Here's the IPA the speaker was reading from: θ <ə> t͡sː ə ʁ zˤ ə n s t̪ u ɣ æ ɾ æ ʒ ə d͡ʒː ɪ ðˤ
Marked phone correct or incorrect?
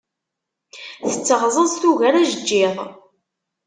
correct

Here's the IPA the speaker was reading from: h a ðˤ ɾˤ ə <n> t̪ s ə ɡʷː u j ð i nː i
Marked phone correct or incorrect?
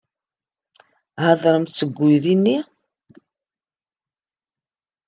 incorrect: m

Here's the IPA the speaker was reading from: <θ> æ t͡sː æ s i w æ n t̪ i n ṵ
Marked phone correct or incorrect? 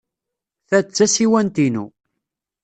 correct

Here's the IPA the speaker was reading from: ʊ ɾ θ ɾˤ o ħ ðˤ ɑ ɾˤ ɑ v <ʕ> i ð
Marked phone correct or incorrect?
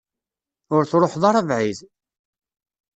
correct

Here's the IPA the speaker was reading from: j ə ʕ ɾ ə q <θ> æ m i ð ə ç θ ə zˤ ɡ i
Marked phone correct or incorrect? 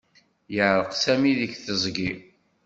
incorrect: s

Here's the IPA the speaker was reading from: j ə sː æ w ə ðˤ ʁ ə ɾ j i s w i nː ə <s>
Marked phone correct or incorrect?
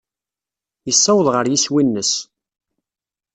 correct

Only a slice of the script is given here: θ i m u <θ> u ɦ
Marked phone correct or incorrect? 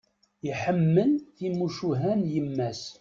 incorrect: ʃ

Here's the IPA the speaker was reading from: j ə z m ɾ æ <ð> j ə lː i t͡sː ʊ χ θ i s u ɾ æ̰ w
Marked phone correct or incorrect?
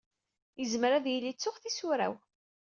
correct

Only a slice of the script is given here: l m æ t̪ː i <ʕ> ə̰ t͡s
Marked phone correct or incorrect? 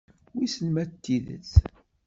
incorrect: ð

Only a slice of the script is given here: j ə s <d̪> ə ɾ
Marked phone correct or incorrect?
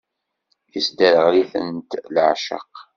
correct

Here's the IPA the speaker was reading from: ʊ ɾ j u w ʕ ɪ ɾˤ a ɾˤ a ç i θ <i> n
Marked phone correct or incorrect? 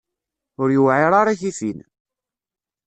correct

